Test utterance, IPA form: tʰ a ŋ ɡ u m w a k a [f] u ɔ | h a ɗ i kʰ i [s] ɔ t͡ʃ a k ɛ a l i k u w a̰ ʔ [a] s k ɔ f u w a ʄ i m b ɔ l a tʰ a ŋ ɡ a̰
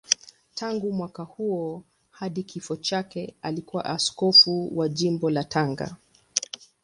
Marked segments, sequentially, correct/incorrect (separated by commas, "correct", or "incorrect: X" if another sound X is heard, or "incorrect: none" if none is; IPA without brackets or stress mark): incorrect: h, incorrect: f, correct